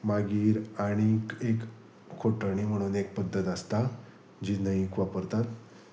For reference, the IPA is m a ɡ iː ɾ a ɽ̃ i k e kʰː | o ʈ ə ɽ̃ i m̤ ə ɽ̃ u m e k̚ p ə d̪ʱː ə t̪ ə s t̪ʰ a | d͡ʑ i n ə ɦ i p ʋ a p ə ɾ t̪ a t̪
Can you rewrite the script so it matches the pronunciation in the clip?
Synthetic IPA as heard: m a ɡ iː ɾ a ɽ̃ i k e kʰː | o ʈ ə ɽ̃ i m̤ ə ɽ̃ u n e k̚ p ə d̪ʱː ə t̪ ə s t̪ a | d͡ʑ i n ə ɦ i k ʋ a p ə ɾ t̪ a t̪